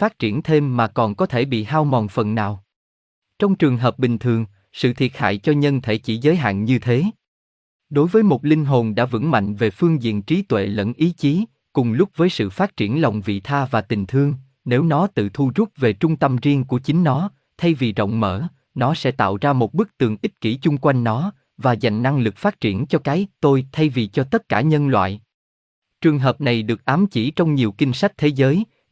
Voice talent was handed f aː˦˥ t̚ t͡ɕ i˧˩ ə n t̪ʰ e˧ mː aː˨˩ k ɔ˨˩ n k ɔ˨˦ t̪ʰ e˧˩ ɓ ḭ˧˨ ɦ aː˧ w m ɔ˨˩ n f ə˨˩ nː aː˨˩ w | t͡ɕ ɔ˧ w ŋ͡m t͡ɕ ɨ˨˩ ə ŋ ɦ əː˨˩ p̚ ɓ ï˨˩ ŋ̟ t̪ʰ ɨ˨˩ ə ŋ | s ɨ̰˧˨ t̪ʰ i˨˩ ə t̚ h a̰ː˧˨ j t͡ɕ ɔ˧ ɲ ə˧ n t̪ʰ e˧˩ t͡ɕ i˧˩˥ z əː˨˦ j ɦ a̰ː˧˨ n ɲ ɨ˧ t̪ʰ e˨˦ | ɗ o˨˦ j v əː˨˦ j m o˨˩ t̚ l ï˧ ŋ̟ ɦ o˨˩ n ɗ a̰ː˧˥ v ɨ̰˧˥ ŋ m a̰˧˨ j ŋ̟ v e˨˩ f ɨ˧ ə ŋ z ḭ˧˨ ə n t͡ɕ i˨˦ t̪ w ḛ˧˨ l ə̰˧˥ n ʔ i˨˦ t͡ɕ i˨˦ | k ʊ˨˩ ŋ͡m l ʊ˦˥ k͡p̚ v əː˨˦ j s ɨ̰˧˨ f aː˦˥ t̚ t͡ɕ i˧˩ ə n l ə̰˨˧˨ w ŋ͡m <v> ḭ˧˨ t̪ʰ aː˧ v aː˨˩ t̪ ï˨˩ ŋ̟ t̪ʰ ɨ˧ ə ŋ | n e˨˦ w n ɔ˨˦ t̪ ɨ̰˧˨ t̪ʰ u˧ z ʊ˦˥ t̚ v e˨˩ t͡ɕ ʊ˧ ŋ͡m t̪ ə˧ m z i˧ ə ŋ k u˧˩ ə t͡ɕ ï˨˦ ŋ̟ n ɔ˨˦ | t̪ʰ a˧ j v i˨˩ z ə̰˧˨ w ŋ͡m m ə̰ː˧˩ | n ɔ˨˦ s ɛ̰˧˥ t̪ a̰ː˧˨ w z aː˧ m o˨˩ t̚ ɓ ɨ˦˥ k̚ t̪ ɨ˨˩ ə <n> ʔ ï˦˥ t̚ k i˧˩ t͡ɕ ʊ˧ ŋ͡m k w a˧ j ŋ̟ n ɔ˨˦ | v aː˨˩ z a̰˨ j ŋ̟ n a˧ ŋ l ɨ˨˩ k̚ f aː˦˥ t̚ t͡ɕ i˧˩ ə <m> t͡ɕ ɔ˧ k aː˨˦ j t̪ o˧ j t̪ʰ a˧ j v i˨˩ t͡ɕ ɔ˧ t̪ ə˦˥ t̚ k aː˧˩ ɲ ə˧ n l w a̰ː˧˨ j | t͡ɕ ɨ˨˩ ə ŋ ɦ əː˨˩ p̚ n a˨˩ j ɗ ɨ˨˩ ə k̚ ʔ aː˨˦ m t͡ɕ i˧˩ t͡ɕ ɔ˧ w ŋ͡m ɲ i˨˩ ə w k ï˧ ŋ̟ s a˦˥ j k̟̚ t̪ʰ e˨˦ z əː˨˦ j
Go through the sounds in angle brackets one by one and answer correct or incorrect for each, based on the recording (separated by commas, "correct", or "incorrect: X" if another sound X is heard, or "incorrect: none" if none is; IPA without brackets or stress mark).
correct, incorrect: ŋ, incorrect: n